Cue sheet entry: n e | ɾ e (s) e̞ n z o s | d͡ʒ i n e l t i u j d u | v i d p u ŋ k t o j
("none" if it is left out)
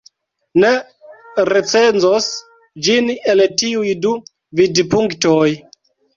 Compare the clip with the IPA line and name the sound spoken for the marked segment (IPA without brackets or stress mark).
t͡s